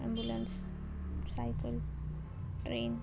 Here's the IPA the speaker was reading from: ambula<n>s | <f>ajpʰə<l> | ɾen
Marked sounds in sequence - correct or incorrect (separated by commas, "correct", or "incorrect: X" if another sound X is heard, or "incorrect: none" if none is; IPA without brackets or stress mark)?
correct, incorrect: s, correct